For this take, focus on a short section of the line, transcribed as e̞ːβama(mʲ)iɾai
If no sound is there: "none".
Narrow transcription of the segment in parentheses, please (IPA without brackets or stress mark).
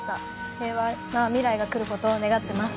mʲ